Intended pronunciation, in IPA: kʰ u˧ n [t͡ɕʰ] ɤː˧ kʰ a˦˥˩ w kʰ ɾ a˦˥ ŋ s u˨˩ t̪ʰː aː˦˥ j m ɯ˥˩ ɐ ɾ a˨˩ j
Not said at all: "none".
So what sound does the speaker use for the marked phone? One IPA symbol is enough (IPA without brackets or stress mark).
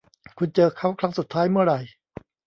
t͡ɕ